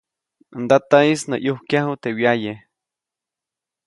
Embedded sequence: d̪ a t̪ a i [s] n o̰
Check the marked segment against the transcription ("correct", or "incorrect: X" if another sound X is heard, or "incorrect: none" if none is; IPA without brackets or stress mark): correct